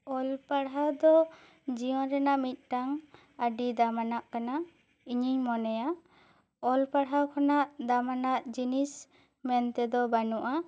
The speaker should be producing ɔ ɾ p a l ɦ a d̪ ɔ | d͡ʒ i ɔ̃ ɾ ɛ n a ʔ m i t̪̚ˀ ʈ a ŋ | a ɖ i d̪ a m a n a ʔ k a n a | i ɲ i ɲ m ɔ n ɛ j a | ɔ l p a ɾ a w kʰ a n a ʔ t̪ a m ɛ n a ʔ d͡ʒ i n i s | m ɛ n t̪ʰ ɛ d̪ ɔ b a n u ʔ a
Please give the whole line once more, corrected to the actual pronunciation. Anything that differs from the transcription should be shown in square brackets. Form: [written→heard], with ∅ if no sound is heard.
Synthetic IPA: ɔ [ɾ→l] p a [l→ɽ] ɦ a d̪ ɔ | d͡ʒ i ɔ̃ ɾ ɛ n a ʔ m i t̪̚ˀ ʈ a ŋ | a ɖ i d̪ a m a n a ʔ k a n a | i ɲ i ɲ m ɔ n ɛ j a | ɔ l p a [ɾ→ɽ] a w kʰ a n a ʔ [t̪→d̪] a m [ɛ→a] n a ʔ d͡ʒ i n i s | m ɛ n [t̪ʰ→t̪] ɛ d̪ ɔ b a n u ʔ a